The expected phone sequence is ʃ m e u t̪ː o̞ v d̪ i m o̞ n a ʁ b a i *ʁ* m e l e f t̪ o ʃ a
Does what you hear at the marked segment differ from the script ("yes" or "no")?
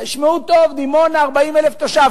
yes